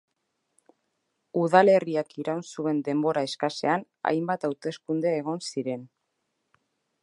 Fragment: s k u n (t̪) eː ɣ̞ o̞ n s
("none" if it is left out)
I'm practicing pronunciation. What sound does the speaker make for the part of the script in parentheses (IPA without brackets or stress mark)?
d̪